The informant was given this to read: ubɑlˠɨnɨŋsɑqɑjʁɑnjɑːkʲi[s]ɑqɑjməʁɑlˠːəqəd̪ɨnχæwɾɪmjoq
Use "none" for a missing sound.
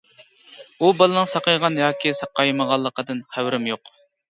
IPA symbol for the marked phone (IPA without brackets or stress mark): s